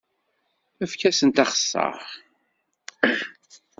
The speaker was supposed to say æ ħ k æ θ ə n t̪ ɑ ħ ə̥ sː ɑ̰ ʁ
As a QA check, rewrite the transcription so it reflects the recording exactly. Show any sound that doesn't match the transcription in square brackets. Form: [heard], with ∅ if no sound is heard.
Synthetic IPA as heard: æ [f] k æ [s] ə n t̪ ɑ [χ] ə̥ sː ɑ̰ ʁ